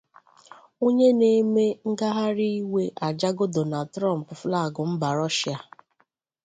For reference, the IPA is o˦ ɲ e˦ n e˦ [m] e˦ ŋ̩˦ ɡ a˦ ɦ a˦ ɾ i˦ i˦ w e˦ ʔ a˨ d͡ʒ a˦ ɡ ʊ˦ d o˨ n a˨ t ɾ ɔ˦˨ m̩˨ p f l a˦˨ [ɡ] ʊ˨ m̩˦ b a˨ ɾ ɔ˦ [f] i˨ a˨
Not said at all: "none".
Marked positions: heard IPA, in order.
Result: m, ɡ, ʃ

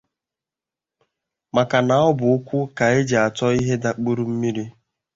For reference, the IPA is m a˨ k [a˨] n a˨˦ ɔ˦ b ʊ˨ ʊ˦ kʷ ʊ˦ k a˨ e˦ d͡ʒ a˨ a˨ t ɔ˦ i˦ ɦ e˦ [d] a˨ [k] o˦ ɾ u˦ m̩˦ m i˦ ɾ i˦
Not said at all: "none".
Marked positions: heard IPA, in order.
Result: a˨, d, k͡p

